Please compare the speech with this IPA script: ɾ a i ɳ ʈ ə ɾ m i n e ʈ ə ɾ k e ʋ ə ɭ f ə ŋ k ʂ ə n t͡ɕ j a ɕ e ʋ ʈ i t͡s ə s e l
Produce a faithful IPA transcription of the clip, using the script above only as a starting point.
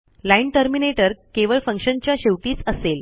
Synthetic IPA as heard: l a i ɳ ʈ ə ɾ m i n e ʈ ə ɾ k e ʋ ə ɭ f ə ŋ k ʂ ə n t͡ɕ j a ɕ e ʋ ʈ iː t͡s ə s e l